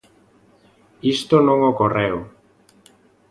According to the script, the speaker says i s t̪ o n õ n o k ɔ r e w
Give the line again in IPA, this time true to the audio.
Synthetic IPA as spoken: i s t̪ o n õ ŋ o k o r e w